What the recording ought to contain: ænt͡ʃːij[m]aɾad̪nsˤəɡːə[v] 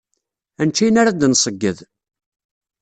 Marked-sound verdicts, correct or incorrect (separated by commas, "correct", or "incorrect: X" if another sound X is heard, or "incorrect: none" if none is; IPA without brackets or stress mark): incorrect: n, incorrect: ð